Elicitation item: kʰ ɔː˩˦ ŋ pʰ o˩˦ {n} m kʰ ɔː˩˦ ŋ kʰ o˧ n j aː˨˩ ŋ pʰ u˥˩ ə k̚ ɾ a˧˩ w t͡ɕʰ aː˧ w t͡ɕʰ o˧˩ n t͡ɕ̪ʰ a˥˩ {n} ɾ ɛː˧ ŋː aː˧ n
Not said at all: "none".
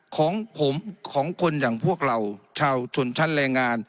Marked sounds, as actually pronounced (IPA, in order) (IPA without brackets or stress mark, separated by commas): none, n